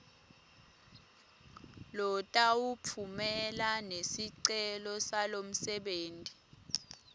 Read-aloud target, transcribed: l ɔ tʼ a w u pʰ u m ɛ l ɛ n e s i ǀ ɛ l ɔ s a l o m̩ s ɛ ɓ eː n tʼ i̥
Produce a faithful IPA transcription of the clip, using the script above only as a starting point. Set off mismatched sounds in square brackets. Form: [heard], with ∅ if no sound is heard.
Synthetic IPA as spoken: l ɔ tʼ a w u pʰ u m ɛ l [a] n e s i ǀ ɛ l ɔ s a l o m̩ s ɛ ɓ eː n tʼ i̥